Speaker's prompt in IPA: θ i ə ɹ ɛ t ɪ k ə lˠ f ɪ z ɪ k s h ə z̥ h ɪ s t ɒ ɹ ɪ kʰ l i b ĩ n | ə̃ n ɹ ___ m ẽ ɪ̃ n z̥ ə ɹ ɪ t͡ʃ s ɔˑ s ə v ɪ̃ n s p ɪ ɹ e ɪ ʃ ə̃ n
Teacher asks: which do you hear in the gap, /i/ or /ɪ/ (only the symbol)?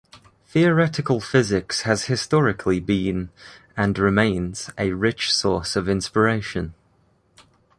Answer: ɪ